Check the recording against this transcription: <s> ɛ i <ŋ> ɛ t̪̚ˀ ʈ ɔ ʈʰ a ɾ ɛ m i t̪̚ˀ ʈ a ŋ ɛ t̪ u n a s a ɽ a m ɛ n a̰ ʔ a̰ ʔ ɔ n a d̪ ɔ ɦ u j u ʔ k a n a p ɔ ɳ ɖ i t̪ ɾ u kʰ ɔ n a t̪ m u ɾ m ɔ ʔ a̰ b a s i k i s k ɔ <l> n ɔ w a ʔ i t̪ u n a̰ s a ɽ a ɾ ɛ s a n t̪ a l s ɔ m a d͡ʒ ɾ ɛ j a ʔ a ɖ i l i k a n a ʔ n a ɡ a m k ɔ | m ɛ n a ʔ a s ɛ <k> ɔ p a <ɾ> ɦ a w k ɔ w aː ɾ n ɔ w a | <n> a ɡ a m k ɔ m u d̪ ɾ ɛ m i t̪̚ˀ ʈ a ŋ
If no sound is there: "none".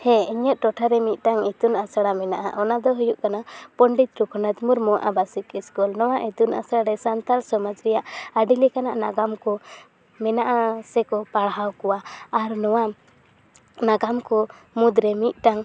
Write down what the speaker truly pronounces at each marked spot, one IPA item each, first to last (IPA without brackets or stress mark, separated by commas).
h, ɲ, l, k, ɽ, n